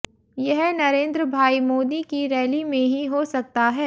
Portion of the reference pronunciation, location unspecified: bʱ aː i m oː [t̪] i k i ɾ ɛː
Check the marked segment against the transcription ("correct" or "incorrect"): incorrect